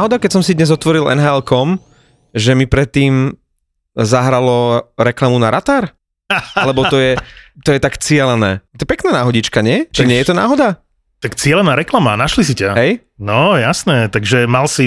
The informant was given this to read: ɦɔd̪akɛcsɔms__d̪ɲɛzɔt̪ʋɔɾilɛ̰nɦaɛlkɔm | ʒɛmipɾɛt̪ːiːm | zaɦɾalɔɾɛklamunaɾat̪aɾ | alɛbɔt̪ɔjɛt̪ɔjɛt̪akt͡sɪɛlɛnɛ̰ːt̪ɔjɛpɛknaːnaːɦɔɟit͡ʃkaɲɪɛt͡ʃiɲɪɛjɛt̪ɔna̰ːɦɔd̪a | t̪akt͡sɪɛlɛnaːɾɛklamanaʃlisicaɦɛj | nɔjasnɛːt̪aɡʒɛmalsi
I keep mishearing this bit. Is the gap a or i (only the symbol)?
i